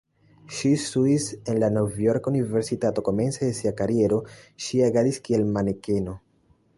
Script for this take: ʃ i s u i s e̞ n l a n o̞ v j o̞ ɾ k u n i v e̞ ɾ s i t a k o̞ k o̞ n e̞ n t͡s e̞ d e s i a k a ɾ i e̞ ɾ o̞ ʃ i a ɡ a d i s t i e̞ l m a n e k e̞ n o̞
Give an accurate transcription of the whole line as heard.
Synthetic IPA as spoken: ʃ i s u i s e̞ n l a n o̞ v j o̞ ɾ k u n i v e̞ ɾ s i t a t o̞ k o̞ m e̞ n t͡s e̞ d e s i a k a ɾ i e̞ ɾ o̞ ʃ i a ɡ a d i s k i e̞ l m a n e k e̞ n o̞